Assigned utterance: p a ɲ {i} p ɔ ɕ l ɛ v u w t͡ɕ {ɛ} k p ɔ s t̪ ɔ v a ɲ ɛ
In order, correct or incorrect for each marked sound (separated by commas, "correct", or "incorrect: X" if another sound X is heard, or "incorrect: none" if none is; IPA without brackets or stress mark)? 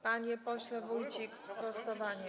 incorrect: ɛ, incorrect: i